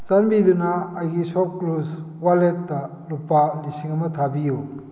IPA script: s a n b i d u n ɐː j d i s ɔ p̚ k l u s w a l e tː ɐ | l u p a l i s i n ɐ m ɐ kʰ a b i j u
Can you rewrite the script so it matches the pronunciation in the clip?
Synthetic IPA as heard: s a n b i d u n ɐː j ɡ i s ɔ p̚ k l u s w a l e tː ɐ | l u p a l i s i ŋ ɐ m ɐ tʰ a b i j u